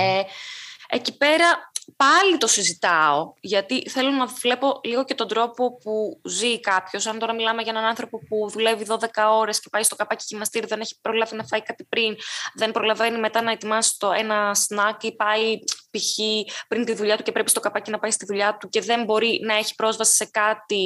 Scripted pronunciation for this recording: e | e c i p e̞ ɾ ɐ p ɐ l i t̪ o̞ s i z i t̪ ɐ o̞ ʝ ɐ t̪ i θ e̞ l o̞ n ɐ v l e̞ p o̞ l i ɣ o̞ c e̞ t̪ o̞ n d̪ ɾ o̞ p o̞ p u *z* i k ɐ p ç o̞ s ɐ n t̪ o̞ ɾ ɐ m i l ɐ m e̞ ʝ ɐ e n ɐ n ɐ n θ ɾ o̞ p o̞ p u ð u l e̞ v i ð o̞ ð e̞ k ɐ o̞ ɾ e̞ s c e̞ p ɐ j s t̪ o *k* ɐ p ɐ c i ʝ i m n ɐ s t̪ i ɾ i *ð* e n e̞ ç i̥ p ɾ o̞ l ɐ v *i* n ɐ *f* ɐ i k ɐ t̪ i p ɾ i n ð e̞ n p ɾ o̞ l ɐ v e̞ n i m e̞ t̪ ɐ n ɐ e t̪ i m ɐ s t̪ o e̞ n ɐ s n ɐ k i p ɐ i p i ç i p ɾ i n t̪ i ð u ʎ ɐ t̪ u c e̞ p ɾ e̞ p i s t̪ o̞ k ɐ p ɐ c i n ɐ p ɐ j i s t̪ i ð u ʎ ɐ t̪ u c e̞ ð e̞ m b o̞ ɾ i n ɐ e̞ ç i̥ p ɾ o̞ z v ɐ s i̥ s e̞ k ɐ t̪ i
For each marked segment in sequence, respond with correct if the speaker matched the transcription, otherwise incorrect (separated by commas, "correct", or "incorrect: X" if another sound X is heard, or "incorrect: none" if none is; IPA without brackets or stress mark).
correct, correct, correct, correct, correct